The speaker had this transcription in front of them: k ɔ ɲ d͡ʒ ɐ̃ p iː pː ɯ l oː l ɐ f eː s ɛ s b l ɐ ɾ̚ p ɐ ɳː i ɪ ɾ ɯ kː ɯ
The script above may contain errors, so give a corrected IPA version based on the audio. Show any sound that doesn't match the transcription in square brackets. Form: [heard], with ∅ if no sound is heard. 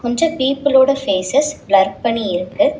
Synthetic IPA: k ɔ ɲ d͡ʒ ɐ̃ p iː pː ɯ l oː [ɽ] ɐ f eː s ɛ s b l ɐ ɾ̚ p ɐ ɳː i ɪ ɾ ɯ kː ɯ

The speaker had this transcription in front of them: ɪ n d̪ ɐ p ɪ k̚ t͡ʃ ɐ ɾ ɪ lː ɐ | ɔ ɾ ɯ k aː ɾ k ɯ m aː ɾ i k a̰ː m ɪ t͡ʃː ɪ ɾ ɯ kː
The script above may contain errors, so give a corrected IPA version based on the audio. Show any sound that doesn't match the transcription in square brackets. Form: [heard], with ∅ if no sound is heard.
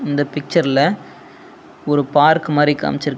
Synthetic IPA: ɪ n d̪ ɐ p ɪ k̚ t͡ʃ ɐ ɾ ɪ [l] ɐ | ɔ ɾ ɯ [p] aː ɾ k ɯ m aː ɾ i k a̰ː m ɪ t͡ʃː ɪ ɾ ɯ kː

